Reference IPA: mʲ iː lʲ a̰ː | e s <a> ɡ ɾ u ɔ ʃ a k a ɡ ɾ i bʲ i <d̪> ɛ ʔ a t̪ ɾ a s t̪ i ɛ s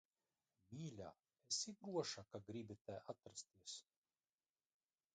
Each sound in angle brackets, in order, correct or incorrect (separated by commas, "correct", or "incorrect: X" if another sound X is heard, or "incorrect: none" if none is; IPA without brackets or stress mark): incorrect: i, incorrect: t̪